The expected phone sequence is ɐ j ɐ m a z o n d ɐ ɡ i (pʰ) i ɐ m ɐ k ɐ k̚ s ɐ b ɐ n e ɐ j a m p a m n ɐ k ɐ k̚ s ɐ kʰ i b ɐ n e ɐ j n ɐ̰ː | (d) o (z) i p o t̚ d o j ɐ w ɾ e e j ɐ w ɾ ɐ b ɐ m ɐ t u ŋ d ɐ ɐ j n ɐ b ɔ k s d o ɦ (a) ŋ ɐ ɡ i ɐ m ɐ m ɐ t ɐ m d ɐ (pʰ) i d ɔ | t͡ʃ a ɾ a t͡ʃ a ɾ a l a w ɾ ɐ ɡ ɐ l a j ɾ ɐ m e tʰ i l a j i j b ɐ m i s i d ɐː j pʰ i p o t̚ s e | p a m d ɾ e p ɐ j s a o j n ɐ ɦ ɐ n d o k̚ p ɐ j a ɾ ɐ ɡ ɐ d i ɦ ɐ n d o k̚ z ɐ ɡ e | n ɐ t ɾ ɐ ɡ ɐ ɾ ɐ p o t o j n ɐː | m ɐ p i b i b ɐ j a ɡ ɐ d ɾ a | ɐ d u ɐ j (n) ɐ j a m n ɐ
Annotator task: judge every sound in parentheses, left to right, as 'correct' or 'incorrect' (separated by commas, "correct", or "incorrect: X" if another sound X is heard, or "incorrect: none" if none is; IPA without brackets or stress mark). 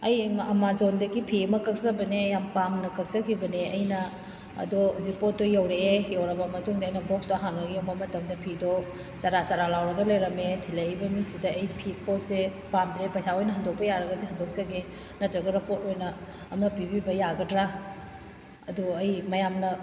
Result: correct, correct, correct, correct, correct, incorrect: m